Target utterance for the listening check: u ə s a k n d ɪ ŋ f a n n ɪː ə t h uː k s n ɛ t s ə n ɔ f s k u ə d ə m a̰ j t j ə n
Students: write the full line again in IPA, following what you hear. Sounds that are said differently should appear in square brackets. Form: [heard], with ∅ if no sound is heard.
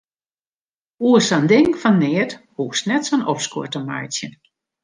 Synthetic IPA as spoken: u ə s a [∅] n d ɪ ŋ f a n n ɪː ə t h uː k s n ɛ t s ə n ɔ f s k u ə [t] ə m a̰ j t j ə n